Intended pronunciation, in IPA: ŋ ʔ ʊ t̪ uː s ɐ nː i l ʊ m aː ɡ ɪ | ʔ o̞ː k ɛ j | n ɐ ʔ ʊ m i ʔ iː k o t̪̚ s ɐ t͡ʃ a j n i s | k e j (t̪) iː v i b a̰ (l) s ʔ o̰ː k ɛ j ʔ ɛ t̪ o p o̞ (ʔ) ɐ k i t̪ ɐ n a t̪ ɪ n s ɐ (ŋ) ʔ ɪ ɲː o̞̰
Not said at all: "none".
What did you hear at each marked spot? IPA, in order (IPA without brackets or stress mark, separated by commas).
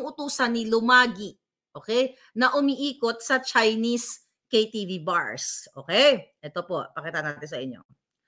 t̪, ɹ, p, none